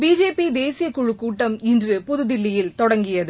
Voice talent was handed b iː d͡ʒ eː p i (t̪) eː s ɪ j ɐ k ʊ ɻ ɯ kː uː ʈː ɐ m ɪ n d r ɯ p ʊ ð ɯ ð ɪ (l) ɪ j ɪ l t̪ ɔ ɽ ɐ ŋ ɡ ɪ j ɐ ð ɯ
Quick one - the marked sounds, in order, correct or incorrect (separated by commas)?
incorrect, incorrect